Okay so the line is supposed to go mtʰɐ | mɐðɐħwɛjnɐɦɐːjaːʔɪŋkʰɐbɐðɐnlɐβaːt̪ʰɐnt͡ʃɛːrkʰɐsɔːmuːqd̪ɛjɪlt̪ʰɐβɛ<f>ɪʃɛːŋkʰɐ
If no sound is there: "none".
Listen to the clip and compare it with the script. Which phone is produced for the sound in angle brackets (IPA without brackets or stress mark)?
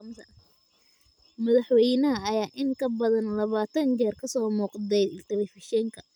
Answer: f